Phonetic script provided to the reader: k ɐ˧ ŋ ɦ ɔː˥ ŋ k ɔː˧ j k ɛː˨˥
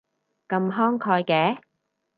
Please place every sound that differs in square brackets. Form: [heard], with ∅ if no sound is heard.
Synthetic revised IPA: k ɐ˧ [m] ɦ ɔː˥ ŋ [kʰ] ɔː˧ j k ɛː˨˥